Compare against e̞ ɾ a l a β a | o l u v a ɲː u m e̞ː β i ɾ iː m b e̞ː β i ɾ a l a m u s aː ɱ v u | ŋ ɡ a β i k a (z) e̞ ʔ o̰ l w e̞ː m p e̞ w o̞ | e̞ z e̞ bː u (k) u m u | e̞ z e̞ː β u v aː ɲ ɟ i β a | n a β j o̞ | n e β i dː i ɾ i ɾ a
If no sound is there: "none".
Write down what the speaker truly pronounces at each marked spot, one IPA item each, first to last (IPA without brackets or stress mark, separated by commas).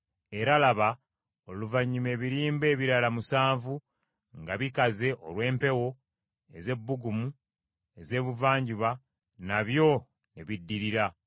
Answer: z, ɡ